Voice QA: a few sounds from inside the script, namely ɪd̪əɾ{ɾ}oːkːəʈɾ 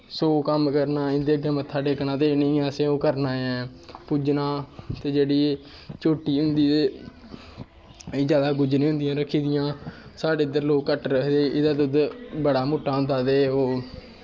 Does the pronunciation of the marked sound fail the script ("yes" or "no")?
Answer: yes